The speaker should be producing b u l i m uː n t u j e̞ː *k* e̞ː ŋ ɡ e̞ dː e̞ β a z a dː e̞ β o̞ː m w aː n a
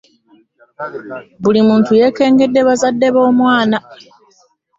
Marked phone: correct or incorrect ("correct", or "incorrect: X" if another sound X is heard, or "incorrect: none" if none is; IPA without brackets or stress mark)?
correct